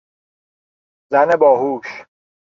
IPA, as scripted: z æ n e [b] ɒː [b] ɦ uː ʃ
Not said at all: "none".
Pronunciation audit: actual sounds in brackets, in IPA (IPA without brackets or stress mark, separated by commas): b, none